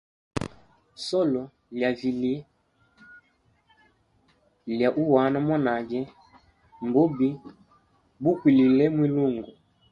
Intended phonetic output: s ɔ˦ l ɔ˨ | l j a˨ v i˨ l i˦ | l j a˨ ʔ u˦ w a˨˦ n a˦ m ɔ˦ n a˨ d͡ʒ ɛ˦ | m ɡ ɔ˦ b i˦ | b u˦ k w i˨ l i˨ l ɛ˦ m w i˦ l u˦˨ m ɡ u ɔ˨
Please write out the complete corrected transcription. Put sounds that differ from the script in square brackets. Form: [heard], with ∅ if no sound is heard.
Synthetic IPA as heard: s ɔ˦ l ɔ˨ | l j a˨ v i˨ l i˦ | l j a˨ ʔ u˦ w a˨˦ n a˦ m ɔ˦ n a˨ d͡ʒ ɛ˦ | m [b] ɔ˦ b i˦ | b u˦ k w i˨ l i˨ l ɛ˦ m w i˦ l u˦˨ [ŋ] ɡ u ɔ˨